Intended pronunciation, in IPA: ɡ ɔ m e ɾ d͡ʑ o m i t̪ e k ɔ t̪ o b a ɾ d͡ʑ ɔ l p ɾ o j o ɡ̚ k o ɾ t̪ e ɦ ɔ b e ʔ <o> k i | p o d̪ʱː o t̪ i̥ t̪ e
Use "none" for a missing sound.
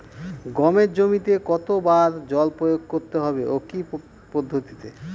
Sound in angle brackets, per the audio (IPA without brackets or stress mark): o